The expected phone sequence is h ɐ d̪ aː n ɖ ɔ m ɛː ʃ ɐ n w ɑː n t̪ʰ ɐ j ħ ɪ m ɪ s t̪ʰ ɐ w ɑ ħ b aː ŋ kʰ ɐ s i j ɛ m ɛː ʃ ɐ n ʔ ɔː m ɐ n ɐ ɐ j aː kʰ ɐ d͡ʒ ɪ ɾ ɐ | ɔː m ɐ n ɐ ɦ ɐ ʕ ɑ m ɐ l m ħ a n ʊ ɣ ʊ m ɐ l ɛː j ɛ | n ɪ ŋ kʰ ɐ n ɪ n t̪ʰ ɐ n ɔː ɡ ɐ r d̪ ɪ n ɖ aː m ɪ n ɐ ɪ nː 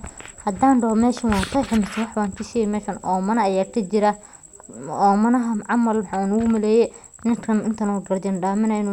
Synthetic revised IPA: h ɐ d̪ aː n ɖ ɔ m ɛː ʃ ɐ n w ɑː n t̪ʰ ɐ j ħ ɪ m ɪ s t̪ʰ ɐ w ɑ ħ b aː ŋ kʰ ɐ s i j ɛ m ɛː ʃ ɐ n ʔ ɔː m ɐ n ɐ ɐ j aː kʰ ɐ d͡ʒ ɪ ɾ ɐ | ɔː m ɐ n ɐ ɦ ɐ ʕ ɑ m ɐ l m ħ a n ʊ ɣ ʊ m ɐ l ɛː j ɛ | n ɪ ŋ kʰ ɐ n ɪ n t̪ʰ ɐ n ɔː ɡ ɐ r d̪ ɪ n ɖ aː m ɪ n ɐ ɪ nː